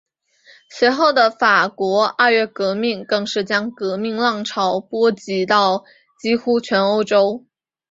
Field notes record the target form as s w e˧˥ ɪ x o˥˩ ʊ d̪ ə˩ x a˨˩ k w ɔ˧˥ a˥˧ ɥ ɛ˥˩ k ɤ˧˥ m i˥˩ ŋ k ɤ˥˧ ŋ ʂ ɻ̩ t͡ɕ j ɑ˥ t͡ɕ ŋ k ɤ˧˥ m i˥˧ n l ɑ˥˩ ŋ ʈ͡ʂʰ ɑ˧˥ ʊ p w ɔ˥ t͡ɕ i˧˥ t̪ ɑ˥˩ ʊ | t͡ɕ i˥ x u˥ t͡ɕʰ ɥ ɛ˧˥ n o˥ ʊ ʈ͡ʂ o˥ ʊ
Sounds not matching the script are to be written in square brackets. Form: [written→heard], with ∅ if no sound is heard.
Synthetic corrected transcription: s w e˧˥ ɪ x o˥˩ ʊ d̪ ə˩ [x→f] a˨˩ k w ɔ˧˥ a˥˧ ɥ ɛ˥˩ k ɤ˧˥ m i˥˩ ŋ k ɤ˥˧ ŋ ʂ ɻ̩ t͡ɕ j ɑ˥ [t͡ɕ→∅] ŋ k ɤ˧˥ m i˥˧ [n→ŋ] l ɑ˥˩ ŋ ʈ͡ʂʰ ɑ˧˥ ʊ p w ɔ˥ t͡ɕ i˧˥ t̪ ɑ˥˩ ʊ | t͡ɕ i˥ x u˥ t͡ɕʰ ɥ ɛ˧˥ n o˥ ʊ ʈ͡ʂ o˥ ʊ